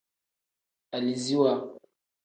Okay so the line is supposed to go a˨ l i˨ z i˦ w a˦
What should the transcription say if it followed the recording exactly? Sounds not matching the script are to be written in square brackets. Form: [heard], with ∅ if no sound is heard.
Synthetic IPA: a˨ l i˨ z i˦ w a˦